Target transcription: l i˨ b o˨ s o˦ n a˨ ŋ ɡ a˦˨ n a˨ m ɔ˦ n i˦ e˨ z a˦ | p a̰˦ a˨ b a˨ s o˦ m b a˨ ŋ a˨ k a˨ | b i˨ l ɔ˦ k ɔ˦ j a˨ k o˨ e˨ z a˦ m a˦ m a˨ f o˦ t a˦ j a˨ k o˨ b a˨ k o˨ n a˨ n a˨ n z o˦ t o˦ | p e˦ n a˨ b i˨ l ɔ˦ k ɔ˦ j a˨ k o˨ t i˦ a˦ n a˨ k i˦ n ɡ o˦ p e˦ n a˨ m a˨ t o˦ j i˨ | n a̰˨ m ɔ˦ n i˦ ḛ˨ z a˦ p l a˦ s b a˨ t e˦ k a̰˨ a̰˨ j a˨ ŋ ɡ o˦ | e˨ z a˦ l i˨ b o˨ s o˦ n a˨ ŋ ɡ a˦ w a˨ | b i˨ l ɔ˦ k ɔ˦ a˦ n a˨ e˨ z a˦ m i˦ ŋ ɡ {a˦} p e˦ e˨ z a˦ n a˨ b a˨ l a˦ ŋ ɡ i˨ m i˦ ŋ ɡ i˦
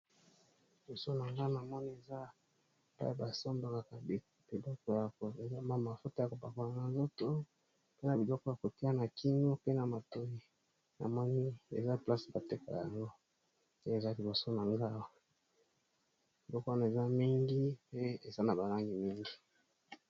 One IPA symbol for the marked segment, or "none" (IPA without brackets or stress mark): i˦